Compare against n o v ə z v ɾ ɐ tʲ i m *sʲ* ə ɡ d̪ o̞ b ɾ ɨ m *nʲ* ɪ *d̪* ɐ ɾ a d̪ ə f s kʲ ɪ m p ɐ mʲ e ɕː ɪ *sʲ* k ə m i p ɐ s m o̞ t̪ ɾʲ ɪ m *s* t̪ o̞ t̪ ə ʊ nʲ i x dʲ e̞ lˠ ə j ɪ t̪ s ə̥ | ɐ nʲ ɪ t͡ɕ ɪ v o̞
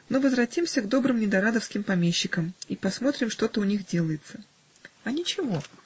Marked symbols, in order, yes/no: yes, yes, yes, no, no

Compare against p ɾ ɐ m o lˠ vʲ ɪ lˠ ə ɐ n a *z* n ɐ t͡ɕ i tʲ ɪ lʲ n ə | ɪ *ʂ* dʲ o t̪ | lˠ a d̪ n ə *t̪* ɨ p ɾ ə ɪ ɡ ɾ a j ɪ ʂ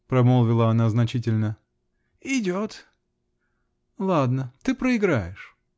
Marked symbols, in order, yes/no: yes, no, yes

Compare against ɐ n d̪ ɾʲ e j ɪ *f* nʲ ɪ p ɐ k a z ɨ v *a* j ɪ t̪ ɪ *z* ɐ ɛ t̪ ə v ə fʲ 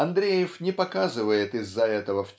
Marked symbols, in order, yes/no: yes, no, no

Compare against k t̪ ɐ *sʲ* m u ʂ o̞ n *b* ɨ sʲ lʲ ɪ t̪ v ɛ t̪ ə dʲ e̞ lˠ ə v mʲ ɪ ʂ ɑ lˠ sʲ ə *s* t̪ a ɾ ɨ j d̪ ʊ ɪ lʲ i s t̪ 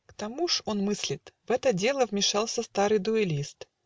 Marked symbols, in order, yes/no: no, no, yes

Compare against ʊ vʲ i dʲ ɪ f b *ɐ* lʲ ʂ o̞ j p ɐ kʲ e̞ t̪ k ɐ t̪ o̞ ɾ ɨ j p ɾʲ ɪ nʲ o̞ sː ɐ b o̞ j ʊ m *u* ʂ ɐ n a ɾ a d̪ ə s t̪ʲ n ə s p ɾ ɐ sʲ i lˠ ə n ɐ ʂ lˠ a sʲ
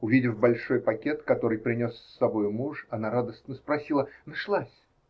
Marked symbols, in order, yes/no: yes, yes

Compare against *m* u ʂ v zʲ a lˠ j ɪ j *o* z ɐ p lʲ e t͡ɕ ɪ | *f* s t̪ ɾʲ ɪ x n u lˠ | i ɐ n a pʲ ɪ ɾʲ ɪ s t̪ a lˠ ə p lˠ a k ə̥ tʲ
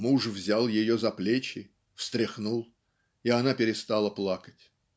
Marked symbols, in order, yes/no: yes, yes, yes

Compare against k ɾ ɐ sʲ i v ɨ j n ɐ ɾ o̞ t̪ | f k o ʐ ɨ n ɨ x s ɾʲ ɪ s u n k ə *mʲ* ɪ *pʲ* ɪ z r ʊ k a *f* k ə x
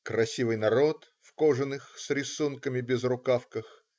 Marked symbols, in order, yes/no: yes, no, yes

